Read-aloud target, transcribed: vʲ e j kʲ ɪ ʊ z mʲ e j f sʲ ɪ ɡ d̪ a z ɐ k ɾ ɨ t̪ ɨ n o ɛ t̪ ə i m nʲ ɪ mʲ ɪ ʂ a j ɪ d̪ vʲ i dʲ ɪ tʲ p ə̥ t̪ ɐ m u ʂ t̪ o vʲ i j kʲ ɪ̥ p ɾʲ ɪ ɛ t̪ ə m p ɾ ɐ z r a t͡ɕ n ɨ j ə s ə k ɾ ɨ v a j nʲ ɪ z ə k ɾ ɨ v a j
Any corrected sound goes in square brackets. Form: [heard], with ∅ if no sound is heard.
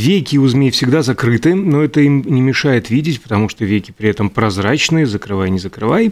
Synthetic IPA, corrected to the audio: vʲ e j kʲ ɪ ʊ z mʲ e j f sʲ ɪ ɡ d̪ a z ɐ k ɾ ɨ t̪ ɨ n o ɛ t̪ ə i m nʲ ɪ mʲ ɪ ʂ a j ɪ [t̪] vʲ i dʲ ɪ tʲ p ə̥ t̪ ɐ m u ʂ t̪ o vʲ [e] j kʲ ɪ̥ p ɾʲ ɪ ɛ t̪ ə m p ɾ ɐ z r a t͡ɕ n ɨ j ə [z] ə k ɾ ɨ v a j nʲ ɪ z ə k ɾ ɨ v a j